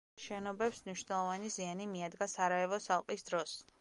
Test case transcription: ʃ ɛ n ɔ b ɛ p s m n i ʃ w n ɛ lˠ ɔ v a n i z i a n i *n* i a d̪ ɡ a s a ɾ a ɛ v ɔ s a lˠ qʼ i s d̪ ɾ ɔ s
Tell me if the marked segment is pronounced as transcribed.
no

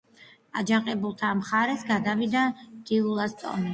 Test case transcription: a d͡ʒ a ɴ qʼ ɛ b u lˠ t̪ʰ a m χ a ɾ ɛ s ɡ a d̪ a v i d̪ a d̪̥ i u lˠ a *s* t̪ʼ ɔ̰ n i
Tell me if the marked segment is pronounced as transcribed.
yes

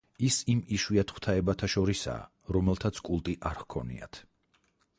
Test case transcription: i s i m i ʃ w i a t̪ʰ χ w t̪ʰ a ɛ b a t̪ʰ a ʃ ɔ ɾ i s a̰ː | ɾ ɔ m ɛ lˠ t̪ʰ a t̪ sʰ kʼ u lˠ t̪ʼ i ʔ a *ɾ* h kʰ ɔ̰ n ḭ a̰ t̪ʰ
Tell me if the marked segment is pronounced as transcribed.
yes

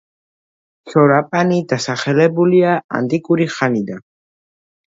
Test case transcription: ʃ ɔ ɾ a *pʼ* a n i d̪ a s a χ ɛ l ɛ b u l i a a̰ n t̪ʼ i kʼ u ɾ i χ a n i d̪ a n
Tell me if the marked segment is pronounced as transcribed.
yes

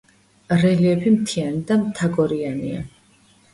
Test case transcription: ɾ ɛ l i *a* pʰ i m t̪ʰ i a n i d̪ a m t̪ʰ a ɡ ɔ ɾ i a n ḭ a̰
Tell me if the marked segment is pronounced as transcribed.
no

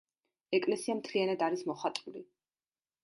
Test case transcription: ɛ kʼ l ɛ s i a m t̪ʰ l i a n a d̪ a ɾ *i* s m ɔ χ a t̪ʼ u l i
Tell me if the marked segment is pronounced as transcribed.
yes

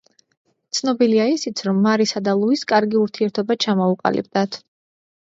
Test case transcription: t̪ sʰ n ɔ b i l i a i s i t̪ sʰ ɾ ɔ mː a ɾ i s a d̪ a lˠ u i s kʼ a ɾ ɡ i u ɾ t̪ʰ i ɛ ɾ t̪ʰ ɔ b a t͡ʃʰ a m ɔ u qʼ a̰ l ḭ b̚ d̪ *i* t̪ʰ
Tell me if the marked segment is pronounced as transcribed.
no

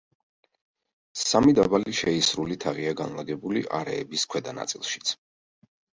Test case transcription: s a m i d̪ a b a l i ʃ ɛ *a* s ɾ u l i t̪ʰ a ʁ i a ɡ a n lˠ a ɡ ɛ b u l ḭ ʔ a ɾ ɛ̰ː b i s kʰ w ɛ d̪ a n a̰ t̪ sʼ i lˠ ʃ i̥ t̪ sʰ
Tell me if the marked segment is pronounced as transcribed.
no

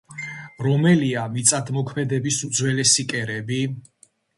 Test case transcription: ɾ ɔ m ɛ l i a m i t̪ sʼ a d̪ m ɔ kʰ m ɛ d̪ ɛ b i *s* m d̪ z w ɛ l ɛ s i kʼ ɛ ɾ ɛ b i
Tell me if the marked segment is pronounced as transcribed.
yes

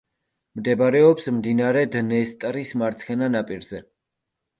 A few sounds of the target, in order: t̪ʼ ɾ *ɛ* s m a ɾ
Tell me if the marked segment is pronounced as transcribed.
no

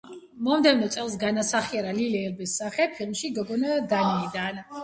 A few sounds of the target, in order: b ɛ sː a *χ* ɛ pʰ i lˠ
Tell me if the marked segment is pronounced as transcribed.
yes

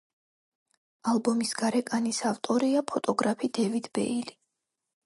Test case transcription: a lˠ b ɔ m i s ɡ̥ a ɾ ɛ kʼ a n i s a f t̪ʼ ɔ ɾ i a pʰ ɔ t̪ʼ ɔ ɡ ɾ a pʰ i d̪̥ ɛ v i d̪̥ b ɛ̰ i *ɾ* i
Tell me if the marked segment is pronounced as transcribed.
no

